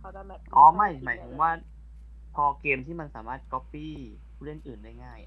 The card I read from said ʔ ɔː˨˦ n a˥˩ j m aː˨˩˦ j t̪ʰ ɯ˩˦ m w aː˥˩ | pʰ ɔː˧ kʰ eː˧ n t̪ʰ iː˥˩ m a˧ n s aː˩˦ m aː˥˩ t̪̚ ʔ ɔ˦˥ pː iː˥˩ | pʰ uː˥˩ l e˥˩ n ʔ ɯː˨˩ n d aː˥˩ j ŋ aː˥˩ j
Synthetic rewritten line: ʔ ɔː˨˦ m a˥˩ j m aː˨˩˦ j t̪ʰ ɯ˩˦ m w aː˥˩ | pʰ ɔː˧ k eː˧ m t̪ʰ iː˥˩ m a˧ n s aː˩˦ m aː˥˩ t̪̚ k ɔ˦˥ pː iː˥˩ | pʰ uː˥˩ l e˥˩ n ʔ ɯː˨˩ n d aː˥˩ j ŋ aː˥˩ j